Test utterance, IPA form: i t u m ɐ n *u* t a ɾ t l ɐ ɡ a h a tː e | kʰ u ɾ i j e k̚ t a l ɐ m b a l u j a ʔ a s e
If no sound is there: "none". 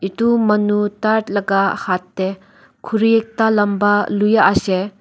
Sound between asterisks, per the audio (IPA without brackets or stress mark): u